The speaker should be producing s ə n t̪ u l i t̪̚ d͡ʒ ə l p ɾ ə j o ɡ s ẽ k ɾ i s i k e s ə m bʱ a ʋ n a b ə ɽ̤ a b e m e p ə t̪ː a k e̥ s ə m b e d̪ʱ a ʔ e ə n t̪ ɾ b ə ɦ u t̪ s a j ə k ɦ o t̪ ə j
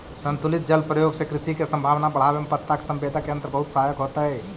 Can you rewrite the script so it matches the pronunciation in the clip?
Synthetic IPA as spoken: s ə n t̪ u l i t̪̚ d͡ʒ ə l p ɾ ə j o ɡ s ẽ k ɾ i s i k e s ə m bʱ a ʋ n a b ə ɽ̤ a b e m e p ə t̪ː a k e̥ s ə m b e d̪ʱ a k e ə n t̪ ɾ b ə ɦ u t̪ s a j ə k ɦ o t̪ ə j